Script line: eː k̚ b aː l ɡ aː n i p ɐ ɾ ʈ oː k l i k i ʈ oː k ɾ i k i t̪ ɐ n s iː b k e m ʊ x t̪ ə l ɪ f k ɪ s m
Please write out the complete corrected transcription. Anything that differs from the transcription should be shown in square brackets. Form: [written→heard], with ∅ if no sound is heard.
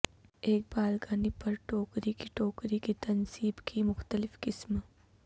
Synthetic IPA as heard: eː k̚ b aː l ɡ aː n i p ɐ ɾ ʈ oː k [l→ɾ] i k i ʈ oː k ɾ i k i t̪ ɐ n s iː b k [e→i] m ʊ x t̪ ə l ɪ f k ɪ s m